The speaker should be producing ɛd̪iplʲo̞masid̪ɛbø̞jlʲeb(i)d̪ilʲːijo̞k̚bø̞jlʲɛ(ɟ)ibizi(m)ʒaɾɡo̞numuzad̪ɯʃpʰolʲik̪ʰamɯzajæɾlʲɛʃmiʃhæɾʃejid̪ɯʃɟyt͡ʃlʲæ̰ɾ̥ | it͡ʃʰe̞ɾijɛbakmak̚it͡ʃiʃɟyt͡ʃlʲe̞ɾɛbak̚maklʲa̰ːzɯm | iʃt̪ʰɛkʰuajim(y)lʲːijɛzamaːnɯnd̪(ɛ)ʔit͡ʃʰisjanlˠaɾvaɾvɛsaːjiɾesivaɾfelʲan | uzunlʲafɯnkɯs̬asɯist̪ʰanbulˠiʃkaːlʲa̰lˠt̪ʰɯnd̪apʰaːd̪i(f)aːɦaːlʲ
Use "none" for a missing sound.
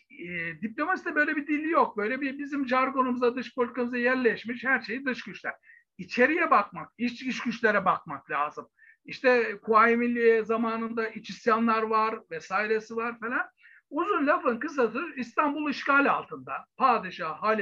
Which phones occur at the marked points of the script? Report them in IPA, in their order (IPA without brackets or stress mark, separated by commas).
i, b, m, i, a, ʃ